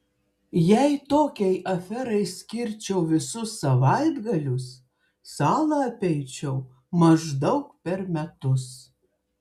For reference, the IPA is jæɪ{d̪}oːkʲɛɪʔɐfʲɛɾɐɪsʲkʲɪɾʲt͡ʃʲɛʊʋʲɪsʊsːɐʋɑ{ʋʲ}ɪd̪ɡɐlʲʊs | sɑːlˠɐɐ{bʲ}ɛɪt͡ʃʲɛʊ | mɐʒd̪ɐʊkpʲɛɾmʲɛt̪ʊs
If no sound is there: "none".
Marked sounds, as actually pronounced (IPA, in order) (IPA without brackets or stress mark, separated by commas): t̪, none, pʲ